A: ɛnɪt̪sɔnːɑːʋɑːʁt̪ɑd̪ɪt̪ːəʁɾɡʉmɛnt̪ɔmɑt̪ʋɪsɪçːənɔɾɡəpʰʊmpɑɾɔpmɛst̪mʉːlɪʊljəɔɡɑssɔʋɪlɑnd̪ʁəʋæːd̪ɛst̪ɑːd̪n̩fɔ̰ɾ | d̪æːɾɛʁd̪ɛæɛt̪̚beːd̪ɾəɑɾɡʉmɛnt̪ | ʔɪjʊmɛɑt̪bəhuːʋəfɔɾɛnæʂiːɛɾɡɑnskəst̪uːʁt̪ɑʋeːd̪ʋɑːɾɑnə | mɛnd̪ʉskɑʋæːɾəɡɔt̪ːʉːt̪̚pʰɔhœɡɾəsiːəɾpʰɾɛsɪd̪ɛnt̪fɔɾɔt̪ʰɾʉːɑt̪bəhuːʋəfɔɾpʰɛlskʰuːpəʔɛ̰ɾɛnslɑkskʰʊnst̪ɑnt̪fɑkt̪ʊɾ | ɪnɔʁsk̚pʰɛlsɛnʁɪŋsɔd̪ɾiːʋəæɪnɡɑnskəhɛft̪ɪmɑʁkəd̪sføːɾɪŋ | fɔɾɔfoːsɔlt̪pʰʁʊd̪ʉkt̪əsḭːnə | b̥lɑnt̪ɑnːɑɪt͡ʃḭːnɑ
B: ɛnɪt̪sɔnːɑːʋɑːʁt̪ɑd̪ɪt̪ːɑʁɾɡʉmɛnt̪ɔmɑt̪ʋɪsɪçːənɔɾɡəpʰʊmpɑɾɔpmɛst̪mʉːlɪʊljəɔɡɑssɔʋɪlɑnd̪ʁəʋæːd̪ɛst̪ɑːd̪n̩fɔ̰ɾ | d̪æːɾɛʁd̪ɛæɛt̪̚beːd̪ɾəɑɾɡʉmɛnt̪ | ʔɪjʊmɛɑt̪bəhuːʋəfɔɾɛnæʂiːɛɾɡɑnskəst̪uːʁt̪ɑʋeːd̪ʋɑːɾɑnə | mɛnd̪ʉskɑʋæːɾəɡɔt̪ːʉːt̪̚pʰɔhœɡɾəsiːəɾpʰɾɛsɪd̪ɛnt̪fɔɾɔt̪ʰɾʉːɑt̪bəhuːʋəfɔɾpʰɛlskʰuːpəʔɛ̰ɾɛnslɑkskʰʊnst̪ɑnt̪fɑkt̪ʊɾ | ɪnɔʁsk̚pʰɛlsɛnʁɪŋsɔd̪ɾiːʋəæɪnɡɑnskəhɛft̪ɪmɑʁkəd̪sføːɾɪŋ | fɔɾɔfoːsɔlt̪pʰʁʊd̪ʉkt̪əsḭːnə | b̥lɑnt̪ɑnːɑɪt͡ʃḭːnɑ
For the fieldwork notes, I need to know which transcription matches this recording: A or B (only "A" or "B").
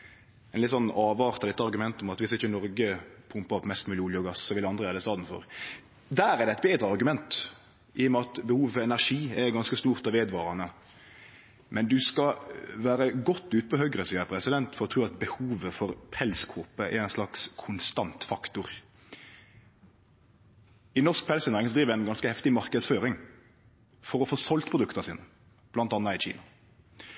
B